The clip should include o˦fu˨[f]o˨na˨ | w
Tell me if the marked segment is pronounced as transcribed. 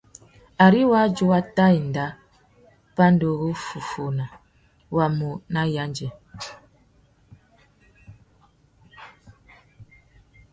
yes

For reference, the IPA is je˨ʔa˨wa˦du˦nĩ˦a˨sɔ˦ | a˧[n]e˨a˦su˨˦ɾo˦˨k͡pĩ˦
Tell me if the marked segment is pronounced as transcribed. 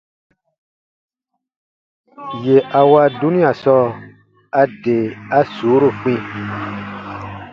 no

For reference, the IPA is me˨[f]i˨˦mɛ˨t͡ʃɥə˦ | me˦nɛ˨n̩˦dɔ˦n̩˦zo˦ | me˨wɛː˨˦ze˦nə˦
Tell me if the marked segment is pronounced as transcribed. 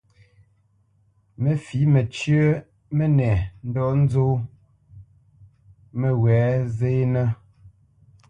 yes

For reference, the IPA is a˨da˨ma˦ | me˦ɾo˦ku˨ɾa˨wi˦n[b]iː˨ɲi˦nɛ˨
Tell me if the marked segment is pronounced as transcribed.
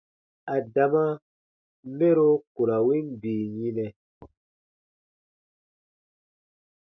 yes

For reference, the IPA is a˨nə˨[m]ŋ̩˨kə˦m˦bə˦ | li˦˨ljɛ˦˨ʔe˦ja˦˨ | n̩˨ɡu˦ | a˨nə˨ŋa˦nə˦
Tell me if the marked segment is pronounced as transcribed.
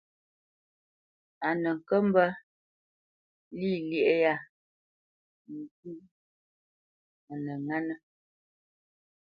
no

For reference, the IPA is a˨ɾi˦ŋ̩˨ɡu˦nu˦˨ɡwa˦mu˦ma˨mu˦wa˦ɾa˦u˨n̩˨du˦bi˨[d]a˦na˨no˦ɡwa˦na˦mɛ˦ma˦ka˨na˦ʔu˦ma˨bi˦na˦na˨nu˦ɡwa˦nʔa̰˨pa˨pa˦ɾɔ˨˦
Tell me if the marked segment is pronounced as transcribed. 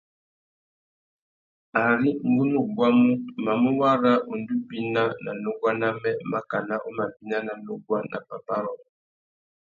no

